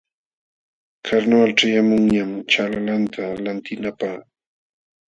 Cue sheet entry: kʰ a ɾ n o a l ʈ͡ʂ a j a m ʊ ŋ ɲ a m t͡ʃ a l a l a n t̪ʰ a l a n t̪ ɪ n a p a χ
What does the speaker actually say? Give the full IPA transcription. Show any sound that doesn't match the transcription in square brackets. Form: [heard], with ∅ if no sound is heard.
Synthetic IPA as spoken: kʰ a ɾ n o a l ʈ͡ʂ a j a m ʊ ŋ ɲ a m t͡ʃ a l a l a n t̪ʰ a l a n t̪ ɪ n a p a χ